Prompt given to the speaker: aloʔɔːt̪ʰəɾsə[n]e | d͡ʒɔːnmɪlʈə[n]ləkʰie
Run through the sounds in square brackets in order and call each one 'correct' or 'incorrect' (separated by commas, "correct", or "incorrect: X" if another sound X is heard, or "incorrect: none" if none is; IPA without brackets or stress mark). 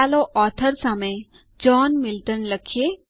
incorrect: m, correct